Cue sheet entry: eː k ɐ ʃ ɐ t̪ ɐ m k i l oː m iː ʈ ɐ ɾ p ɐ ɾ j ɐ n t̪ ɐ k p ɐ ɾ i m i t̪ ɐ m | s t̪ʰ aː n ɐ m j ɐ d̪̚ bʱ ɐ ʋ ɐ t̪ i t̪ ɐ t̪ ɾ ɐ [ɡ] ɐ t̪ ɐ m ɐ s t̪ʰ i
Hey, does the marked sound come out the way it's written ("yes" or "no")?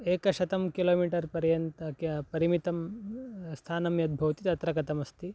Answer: no